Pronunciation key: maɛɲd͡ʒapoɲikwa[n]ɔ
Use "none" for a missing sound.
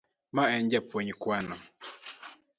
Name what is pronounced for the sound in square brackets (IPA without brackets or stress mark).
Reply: n